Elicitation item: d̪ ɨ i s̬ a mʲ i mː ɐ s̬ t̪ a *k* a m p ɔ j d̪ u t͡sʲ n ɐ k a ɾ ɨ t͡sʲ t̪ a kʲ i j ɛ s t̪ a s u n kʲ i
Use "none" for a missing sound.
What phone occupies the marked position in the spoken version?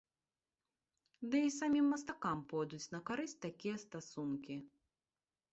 k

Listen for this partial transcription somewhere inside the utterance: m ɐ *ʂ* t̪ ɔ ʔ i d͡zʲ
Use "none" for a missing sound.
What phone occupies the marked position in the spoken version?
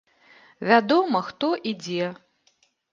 x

